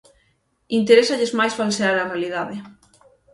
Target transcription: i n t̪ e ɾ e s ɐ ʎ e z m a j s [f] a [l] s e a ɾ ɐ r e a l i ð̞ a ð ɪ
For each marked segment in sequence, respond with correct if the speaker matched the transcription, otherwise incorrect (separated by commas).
correct, correct